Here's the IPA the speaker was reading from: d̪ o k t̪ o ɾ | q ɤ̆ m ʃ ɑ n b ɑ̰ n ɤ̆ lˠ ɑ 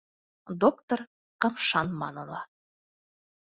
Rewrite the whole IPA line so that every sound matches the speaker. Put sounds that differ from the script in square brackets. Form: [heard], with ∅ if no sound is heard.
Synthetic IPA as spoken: d̪ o k t̪ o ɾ | q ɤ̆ m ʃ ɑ n [m] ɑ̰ n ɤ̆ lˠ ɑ